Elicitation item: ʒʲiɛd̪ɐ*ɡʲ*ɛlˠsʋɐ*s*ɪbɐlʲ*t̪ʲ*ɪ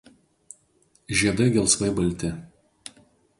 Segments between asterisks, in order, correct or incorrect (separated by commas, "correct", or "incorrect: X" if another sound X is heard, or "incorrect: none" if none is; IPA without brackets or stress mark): correct, incorrect: none, correct